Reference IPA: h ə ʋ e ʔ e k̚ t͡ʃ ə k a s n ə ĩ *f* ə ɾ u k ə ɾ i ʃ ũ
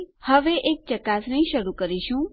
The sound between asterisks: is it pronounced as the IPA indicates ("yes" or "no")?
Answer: no